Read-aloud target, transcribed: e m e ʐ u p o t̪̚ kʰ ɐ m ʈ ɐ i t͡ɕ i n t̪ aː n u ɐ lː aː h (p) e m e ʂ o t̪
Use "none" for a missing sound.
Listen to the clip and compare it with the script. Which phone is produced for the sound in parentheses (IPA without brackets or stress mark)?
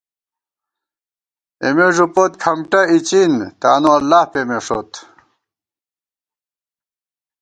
p